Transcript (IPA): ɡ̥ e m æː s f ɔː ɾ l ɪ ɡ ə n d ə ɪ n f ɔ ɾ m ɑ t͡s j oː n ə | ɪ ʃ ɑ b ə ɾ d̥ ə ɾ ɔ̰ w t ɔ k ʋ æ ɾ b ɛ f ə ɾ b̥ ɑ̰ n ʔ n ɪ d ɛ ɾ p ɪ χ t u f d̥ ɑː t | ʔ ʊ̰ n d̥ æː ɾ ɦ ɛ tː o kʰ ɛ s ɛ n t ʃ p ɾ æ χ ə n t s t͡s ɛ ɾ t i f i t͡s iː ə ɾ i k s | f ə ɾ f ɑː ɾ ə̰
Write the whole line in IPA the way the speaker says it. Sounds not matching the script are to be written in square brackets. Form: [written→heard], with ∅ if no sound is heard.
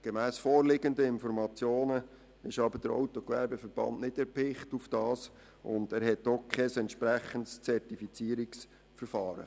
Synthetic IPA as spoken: ɡ̥ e m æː s f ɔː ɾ l ɪ ɡ ə n d ə ɪ n f ɔ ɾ m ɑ t͡s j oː n ə | ɪ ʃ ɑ b ə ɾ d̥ ə ɾ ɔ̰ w t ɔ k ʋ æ ɾ b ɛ f ə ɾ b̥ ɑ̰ n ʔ n ɪ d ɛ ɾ p ɪ χ t u f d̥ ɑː [t→s] | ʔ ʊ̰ n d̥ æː ɾ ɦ ɛ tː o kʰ ɛ s ɛ n t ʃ p ɾ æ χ ə n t s t͡s ɛ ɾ t i f i t͡s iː ə ɾ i k s | f ə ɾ f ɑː ɾ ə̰